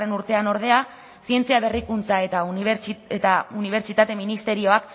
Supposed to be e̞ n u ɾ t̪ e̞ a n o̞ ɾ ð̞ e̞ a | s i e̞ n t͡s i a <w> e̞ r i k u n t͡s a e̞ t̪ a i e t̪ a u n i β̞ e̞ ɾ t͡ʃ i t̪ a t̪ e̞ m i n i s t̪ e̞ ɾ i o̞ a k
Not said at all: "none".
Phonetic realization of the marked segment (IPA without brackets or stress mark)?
β